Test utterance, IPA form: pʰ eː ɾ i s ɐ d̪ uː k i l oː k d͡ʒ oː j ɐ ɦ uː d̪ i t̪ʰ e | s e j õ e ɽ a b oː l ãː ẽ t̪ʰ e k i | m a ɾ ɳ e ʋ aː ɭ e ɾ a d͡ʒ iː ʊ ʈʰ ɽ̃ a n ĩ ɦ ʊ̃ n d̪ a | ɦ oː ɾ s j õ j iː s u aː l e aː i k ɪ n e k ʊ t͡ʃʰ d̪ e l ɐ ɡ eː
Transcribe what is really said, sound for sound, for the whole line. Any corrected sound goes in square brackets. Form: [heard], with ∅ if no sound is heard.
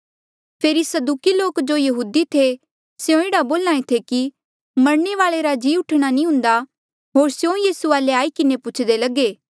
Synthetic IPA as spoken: pʰ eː ɾ i s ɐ d̪ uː k i l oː k d͡ʒ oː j ɐ ɦ uː d̪ i t̪ʰ e | s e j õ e ɽ a b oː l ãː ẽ t̪ʰ e k i | m [ɐ] ɾ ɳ e ʋ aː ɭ e ɾ a d͡ʒ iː ʊ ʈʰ ɽ̃ a n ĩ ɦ ʊ̃ n d̪ a | ɦ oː ɾ s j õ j iː s u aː l e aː i k ɪ n e [p] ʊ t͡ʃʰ d̪ e l ɐ ɡ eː